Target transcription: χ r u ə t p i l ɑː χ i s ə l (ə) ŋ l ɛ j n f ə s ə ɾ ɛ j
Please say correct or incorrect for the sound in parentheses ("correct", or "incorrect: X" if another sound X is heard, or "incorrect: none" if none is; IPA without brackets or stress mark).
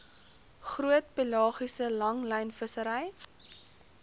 incorrect: ɐ